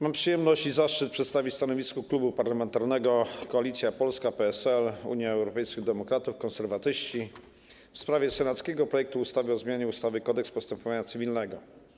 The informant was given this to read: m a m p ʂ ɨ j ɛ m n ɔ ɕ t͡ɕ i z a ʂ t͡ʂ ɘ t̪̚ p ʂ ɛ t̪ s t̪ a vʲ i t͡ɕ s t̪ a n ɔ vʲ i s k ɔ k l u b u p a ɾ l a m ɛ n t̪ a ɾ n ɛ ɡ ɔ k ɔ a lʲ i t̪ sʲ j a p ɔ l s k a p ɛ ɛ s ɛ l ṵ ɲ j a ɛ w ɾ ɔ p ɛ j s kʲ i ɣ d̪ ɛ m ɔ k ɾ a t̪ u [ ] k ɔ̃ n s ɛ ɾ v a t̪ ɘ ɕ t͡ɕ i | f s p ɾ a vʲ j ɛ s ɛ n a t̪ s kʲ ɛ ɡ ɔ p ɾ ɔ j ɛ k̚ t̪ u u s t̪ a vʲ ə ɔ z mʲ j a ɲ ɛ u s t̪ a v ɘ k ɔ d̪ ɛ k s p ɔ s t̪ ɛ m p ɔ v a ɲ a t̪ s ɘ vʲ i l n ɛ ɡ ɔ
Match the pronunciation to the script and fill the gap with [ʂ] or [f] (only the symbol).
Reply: f